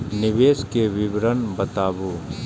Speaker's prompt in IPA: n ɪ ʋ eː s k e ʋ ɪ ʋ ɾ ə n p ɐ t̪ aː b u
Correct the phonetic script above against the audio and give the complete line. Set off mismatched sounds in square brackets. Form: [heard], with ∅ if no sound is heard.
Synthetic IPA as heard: n ɪ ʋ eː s k e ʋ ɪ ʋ ɾ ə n [b] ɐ t̪ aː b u